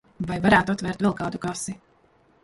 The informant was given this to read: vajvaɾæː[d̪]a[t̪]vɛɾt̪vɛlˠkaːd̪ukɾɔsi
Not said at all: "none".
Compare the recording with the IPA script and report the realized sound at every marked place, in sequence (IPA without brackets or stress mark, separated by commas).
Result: t̪, t̪